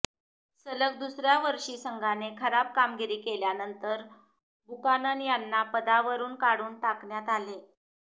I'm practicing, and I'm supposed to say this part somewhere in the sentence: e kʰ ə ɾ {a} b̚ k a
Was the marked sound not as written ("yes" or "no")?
no